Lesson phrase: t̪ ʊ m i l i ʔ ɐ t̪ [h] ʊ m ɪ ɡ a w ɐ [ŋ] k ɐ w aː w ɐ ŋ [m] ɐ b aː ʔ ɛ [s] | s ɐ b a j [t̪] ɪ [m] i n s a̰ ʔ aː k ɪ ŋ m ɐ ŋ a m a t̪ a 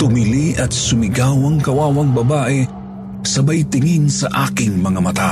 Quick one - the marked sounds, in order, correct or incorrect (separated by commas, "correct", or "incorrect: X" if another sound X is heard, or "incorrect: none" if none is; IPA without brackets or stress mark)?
incorrect: s, correct, incorrect: b, incorrect: none, correct, incorrect: ŋ